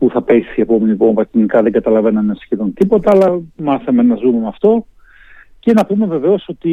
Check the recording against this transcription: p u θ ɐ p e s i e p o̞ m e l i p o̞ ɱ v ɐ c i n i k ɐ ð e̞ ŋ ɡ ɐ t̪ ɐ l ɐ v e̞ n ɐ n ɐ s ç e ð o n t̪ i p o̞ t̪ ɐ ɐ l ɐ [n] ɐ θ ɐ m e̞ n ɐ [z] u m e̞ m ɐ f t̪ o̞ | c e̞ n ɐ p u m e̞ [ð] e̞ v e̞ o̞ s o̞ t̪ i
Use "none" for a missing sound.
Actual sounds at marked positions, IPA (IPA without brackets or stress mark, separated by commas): m, z, v